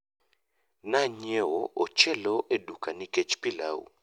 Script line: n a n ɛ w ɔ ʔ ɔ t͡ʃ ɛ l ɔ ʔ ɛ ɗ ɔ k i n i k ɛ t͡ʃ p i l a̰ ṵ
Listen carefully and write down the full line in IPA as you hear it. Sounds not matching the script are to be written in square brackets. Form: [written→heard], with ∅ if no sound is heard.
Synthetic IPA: n a [n→ɲ] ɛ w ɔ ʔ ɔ t͡ʃ ɛ l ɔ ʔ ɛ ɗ [ɔ→u] k [i→a] n i k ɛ t͡ʃ p i l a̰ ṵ